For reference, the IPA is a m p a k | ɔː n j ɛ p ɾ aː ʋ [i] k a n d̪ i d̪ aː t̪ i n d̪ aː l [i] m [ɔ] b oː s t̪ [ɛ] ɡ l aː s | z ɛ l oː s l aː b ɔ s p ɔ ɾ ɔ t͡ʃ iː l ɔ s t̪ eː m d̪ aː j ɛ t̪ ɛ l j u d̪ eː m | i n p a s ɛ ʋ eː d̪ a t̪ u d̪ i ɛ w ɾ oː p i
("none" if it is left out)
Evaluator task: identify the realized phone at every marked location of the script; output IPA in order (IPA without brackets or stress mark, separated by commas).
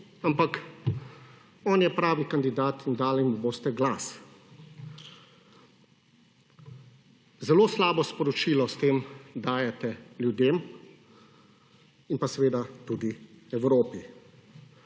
i, i, u, ɛ